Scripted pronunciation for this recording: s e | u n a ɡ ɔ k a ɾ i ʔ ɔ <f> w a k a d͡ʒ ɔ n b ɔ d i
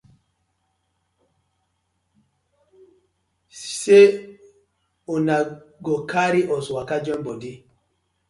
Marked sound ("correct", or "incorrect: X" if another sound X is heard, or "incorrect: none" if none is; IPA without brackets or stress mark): incorrect: s